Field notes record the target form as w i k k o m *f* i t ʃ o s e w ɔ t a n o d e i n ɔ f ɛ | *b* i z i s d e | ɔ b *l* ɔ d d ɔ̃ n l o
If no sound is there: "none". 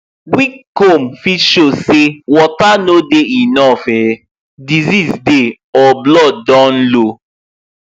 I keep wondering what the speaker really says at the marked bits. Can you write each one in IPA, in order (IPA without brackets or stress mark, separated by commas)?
f, d, l